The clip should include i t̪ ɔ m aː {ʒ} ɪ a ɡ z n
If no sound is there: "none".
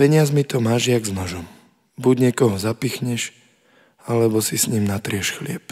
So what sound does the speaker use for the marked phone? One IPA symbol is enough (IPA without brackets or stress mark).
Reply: ʒ